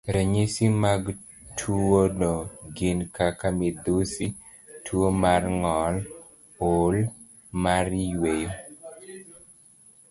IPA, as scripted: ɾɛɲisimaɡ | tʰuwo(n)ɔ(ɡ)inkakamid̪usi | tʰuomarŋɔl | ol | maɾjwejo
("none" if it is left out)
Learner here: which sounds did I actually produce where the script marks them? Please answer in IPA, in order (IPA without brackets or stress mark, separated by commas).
n, ɡ